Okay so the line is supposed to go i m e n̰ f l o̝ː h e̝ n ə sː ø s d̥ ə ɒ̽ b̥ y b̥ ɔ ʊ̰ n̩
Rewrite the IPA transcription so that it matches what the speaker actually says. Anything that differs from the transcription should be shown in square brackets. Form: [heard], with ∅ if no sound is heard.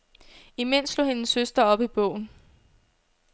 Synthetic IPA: i m e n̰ [s] l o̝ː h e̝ n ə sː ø s d̥ [ɐ] ɒ̽ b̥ [i] b̥ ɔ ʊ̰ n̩